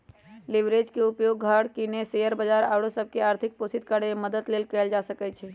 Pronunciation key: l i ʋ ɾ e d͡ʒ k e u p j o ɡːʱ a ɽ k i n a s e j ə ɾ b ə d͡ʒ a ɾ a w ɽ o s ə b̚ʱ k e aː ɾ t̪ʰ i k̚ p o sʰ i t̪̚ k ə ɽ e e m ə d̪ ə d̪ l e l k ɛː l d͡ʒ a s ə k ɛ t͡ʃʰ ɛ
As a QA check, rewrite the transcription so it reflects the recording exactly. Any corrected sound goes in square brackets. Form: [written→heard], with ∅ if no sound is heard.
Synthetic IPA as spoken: l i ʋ ɾ e d͡ʒ k e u p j o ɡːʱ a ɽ k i n [a→e] s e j ə ɾ b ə d͡ʒ a ɾ a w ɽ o s ə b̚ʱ k e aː ɾ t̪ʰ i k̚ p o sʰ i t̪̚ k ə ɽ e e m ə d̪ ə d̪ l e l k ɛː l d͡ʒ a s ə k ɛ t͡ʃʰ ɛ

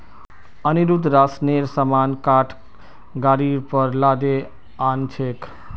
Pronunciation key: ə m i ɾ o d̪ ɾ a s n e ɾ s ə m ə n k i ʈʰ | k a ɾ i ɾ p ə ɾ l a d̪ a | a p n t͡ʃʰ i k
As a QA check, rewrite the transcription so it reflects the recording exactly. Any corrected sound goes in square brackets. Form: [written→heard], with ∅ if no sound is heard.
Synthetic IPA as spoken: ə [m→n] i ɾ [o→u] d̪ ɾ a s n e ɾ s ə m [ə→a] n k [i→a] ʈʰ | [k→ɡ] a ɾ i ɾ p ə ɾ l a d̪ [a→e] | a [p→∅] n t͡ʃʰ [i→e] k

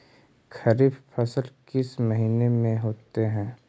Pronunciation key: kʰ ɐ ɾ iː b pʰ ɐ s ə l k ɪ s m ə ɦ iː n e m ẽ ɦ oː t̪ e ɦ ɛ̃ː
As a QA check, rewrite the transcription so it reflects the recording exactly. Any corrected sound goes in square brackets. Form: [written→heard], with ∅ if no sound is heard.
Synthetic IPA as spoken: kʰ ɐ ɾ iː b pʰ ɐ s ə l k ɪ s m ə ɦ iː n e m ẽ ɦ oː t̪ e ɦ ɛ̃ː

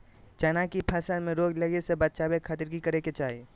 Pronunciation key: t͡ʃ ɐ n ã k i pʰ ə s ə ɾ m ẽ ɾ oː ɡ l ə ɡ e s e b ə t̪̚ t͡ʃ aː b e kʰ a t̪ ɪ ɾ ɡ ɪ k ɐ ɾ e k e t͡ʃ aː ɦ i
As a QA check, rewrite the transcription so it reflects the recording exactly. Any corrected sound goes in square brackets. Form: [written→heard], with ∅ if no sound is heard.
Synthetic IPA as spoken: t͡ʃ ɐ n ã k i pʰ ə s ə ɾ m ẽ ɾ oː ɡ l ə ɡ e s e b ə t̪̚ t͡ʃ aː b e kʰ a t̪ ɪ ɾ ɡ [ɪ→i] k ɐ ɾ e k e t͡ʃ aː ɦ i

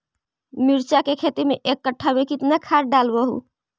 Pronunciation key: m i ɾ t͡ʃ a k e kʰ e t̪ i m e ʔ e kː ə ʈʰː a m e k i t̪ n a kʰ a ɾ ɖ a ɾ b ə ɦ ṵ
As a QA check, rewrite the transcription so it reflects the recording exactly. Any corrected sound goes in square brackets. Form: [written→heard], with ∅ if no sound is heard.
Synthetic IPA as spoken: m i ɾ t͡ʃ a k e kʰ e t̪ i m e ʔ e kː ə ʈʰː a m e k i t̪ n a kʰ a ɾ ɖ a [ɾ→l] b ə ɦ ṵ

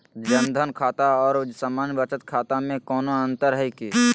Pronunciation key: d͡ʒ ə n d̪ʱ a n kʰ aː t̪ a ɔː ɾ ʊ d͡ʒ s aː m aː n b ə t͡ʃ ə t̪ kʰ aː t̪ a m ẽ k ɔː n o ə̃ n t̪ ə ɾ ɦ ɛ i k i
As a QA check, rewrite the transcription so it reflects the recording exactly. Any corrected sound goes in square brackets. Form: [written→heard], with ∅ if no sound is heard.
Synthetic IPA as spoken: d͡ʒ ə n d̪ʱ [a→ə] n kʰ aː t̪ a ɔː ɾ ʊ d͡ʒ s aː m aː n b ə t͡ʃ ə t̪ kʰ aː t̪ a m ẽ k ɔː n o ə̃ n t̪ ə ɾ ɦ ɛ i k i

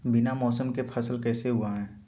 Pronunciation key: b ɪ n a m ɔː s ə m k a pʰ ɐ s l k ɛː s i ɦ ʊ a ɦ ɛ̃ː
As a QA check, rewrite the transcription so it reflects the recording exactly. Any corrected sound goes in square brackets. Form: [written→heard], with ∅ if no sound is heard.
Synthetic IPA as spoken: b ɪ n a m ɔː s ə m k [a→e] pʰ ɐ s l k ɛː s [i→e] ɦ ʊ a ɦ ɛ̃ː

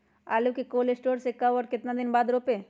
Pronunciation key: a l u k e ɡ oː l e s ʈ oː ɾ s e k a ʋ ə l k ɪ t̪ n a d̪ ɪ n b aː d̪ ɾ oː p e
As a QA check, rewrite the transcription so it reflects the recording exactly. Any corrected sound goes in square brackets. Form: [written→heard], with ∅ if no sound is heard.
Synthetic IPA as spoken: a l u k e [ɡ→k] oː l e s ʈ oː ɾ s e k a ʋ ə [l→ɾ] k ɪ t̪ n a d̪ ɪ n b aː d̪ ɾ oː p e

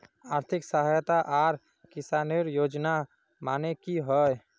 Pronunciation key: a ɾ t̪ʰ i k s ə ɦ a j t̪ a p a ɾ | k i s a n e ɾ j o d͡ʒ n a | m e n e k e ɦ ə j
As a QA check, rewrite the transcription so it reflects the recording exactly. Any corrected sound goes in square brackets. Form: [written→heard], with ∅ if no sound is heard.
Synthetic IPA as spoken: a ɾ t̪ʰ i k s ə ɦ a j t̪ a [p→ʔ] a ɾ | k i s a n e ɾ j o d͡ʒ n a | m [e→a] n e k [e→i] ɦ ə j

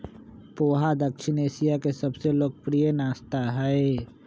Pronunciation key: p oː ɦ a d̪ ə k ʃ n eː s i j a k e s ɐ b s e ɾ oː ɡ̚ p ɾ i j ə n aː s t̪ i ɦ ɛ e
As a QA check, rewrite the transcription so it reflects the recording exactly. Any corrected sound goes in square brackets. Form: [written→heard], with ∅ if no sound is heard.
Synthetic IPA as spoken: p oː ɦ a d̪ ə k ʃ n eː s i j a k e s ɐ b s e [ɾ→l] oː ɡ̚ p ɾ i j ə n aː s t̪ [i→a] ɦ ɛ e

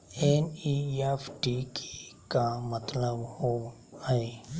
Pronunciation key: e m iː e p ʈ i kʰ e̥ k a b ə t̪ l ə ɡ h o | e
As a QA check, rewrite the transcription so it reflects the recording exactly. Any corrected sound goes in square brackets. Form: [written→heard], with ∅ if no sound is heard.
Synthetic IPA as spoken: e [m→n] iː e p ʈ i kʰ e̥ k a [b→m] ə t̪ l ə [ɡ→b] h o | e

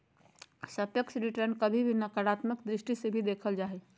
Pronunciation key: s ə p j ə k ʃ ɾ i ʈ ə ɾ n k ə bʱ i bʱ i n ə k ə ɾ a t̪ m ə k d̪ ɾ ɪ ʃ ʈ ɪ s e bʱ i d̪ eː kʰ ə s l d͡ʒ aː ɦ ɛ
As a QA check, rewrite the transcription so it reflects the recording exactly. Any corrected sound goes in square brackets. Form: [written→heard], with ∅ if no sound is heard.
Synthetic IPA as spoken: s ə p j ə k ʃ ɾ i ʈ ə ɾ n k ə bʱ i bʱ i n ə k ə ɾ a t̪ m ə k d̪ ɾ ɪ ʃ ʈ [ɪ→i] s e bʱ i d̪ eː kʰ ə [s→∅] l d͡ʒ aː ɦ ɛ

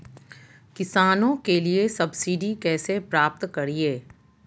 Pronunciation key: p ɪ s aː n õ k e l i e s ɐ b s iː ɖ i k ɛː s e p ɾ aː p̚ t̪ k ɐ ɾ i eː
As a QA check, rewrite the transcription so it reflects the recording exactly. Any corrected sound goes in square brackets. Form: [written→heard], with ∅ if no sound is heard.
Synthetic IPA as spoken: [p→k] ɪ s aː n õ k e l i e s ɐ b s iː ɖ i k ɛː s e p ɾ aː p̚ t̪ k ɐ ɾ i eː

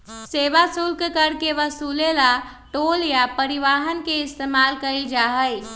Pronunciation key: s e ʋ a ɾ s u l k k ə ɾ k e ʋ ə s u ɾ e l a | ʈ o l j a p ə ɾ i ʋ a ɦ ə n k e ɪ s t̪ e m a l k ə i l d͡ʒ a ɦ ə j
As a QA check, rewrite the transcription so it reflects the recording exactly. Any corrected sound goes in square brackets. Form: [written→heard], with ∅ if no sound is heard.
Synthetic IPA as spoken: s e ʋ a [ɾ→∅] s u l k k ə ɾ k e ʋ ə s u [ɾ→l] e l a | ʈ o l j a p ə ɾ i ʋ a ɦ ə n k e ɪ s t̪ e m a l k ə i l d͡ʒ a ɦ ə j

